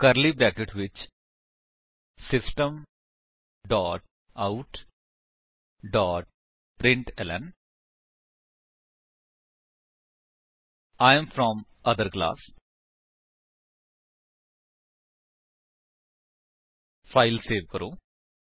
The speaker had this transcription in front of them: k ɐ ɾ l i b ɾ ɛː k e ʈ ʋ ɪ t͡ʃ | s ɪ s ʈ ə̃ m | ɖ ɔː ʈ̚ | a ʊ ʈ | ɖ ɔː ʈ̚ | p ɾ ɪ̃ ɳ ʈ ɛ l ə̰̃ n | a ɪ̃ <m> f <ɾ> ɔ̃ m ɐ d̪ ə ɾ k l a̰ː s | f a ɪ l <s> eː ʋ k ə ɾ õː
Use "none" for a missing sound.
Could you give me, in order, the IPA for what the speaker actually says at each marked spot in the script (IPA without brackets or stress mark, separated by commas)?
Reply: m, ɾ, s